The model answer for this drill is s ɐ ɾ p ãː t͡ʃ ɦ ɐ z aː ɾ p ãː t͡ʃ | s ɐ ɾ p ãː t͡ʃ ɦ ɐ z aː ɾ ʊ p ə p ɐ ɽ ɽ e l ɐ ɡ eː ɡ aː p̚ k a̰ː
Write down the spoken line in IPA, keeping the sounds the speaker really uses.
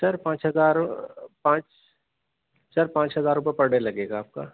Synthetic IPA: s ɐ ɾ p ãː t͡ʃ ɦ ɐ z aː ɾ p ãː t͡ʃ | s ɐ ɾ p ãː t͡ʃ ɦ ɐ z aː ɾ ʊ p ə p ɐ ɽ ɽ e l ɐ ɡ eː ɡ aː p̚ k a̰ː